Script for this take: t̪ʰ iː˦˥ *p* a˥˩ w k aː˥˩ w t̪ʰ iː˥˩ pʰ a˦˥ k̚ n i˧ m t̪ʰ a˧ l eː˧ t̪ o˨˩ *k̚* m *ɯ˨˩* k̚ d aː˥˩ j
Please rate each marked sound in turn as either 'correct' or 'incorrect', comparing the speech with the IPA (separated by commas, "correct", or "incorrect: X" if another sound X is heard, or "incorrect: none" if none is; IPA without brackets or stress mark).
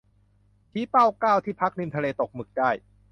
correct, correct, correct